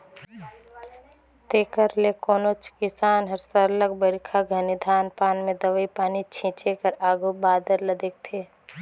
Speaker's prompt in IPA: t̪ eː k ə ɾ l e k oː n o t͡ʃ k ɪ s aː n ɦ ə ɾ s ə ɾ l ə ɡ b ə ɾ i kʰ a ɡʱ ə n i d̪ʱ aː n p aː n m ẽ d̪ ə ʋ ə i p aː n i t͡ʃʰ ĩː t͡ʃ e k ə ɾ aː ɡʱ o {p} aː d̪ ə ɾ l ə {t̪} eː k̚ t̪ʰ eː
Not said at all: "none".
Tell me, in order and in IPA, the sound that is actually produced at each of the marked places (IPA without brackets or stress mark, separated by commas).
b, d̪